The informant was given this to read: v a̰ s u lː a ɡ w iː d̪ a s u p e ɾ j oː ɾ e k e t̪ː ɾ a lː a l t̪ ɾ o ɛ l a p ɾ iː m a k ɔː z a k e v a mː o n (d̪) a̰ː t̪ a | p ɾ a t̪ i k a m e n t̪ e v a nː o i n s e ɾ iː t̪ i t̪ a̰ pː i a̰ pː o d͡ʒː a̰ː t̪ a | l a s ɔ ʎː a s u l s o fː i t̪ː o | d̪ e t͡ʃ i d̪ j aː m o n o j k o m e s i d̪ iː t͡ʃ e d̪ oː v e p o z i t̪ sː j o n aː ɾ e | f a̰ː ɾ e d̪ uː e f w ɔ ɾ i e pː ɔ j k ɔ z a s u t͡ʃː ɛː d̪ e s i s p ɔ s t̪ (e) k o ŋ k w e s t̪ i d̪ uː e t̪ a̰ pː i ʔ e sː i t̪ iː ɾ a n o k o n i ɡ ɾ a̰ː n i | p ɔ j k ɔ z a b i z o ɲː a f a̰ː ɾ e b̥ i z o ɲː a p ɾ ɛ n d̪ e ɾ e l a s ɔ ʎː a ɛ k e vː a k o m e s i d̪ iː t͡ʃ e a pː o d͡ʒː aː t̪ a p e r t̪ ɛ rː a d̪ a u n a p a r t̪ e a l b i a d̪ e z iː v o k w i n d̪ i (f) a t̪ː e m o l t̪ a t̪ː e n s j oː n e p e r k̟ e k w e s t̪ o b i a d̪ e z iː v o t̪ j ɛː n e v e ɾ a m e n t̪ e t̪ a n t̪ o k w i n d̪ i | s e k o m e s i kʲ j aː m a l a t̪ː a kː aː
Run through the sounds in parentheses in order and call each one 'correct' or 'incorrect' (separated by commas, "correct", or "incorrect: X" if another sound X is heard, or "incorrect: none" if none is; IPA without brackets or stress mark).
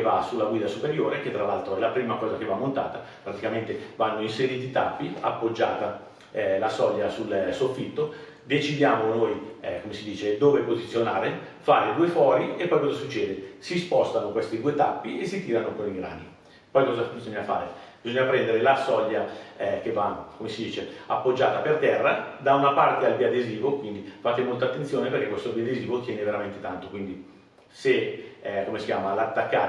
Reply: incorrect: t̪, incorrect: a, correct